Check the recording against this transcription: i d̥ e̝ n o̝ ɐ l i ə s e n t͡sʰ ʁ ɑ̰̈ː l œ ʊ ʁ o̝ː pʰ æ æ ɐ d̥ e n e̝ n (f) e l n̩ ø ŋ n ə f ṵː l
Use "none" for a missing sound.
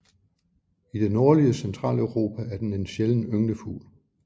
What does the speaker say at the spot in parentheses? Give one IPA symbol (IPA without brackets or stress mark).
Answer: ɕ